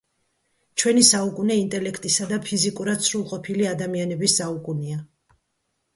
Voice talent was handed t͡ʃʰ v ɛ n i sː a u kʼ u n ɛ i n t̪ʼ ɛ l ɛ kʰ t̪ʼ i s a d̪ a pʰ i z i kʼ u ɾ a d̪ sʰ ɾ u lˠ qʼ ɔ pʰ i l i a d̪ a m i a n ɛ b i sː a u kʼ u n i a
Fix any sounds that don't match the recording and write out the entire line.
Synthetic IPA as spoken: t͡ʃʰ w ɛ n i s a u kʼ u n ɛ i n t̪ʼ ɛ l ɛ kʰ t̪ʼ i s a d̪ a pʰ i z i kʼ u ɾ a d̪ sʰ ɾ u lˠ qʼ ɔ pʰ i l i a d̪ a m i a n ɛ b i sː a u kʼ u n i a